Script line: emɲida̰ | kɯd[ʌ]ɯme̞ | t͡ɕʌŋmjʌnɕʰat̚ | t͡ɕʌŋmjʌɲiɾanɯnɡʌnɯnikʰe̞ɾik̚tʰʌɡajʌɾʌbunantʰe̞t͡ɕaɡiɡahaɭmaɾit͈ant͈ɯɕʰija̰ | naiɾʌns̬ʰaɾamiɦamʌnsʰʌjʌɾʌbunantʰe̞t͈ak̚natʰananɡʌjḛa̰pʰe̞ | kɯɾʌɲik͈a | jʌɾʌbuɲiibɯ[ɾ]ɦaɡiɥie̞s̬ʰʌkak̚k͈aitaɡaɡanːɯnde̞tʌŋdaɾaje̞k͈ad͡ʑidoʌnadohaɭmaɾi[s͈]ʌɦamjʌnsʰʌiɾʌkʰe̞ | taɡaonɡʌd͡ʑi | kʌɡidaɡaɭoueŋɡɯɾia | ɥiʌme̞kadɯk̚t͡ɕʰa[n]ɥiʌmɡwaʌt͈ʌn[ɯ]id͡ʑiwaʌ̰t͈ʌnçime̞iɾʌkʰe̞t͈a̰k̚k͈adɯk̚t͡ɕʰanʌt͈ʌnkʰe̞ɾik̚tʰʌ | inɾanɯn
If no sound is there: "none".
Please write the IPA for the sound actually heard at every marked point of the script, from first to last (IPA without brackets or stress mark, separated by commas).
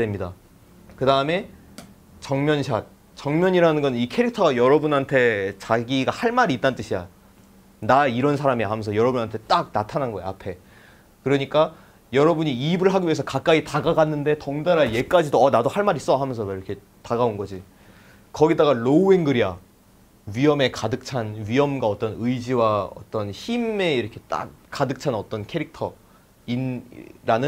a, ɭ, s͈, n, ɯ